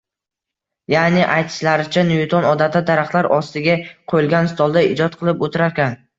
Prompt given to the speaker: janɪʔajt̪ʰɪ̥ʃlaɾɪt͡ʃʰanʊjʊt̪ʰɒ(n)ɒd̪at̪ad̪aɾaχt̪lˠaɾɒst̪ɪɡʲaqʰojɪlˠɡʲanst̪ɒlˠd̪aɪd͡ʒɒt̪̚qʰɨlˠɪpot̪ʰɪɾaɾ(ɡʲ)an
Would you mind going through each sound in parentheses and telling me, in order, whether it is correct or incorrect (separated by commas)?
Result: correct, incorrect